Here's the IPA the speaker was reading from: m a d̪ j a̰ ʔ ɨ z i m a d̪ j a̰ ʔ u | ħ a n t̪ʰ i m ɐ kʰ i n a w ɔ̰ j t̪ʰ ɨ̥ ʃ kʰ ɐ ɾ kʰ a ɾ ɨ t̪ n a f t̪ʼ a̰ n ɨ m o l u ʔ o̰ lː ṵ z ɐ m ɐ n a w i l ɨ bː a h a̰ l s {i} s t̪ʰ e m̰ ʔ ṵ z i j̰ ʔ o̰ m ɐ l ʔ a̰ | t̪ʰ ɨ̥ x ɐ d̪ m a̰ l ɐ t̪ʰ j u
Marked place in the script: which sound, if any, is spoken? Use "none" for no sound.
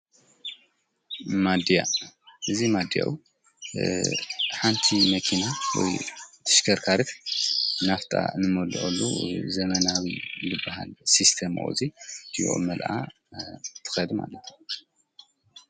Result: i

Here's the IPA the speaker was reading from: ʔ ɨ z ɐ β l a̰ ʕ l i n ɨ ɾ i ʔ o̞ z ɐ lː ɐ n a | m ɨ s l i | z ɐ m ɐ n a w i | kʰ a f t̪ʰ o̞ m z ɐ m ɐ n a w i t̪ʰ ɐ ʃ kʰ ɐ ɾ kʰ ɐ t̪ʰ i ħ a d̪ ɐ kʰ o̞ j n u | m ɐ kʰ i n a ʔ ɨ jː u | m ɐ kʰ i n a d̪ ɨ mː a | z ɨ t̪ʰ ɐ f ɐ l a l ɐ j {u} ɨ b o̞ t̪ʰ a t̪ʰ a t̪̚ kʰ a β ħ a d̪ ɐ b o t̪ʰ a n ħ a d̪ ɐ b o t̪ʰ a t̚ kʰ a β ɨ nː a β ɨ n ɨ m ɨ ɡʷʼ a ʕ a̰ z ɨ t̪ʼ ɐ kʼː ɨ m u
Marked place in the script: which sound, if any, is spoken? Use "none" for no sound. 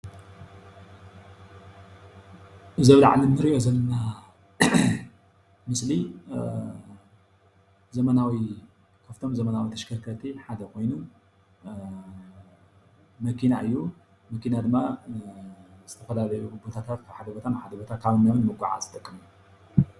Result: u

